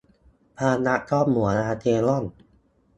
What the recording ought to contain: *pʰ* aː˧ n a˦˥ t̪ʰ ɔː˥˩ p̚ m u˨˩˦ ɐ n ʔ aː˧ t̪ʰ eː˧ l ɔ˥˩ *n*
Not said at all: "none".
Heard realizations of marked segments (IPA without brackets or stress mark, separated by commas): pʰ, n